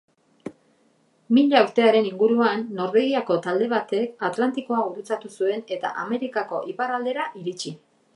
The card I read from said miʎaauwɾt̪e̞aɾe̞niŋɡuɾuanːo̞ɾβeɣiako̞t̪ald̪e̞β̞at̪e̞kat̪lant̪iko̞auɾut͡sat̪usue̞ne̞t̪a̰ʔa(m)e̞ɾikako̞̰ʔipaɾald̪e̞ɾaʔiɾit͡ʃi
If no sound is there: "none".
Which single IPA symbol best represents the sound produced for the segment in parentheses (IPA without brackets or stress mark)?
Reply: m